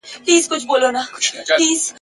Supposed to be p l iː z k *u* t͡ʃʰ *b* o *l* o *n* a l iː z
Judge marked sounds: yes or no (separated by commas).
no, yes, yes, yes